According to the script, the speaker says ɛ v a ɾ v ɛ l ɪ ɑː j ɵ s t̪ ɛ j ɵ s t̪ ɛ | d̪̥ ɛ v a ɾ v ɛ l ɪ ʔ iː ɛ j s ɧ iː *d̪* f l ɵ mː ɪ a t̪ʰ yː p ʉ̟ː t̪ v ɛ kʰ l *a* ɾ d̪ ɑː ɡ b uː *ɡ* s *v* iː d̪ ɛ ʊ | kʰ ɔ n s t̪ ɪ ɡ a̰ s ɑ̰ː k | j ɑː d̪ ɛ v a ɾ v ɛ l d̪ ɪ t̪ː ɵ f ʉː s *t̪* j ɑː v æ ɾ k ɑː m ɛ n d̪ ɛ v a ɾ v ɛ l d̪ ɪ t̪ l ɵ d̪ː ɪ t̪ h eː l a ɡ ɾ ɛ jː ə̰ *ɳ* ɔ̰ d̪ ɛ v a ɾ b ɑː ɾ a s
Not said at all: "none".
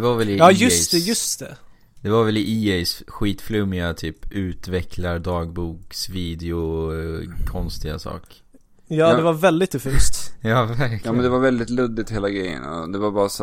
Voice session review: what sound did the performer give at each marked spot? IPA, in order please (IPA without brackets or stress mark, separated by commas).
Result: t̪, a, k, v, t̪, n